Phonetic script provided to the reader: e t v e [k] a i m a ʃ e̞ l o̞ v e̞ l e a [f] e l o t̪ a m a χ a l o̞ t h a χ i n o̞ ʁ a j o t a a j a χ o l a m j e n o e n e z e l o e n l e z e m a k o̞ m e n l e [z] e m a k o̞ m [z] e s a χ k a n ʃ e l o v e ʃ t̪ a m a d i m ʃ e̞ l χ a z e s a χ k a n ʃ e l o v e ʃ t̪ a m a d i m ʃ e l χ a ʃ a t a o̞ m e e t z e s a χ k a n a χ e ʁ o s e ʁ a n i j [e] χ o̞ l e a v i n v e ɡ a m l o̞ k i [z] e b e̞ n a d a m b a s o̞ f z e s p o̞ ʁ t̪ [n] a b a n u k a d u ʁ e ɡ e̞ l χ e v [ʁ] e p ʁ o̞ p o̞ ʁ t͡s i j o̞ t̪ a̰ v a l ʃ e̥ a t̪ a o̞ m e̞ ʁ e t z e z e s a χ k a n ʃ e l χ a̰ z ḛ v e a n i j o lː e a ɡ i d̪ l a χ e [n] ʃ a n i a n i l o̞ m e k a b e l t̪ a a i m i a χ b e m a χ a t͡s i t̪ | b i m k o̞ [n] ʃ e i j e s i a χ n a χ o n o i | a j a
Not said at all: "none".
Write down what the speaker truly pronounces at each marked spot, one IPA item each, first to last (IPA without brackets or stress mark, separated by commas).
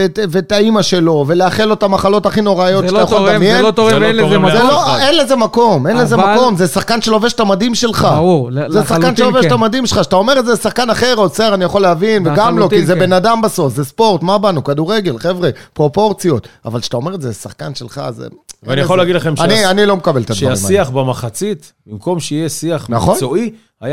t, χ, z, z, a, z, m, ʁ, m, m